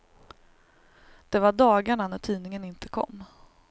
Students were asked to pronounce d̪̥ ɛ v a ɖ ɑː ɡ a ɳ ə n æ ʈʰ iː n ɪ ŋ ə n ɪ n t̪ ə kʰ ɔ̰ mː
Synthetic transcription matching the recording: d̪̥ ɛ v a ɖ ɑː ɡ a ɳ a n æ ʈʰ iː n ɪ ŋ ə n ɪ n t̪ ə kʰ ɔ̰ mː